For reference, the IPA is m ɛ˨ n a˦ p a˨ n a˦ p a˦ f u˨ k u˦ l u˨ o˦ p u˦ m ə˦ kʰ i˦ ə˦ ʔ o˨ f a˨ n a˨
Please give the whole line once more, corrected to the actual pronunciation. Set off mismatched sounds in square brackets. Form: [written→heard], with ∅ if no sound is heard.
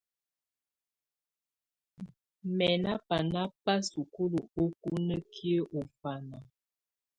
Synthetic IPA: m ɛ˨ n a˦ p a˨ n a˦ p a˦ [f→s] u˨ k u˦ l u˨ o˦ [p→k] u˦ [m→n] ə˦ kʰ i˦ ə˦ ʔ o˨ f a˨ n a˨

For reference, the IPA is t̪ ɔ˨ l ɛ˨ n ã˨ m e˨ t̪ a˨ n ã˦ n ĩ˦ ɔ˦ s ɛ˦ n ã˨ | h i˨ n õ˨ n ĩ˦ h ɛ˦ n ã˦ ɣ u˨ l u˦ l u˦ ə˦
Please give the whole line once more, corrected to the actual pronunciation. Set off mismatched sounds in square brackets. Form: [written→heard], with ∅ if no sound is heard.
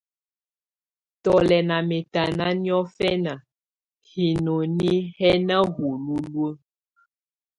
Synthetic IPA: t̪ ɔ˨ l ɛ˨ n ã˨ m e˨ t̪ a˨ n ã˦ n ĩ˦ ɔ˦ [s→f] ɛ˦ n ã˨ | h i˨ n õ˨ n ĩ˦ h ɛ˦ n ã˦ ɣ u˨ l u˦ l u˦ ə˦

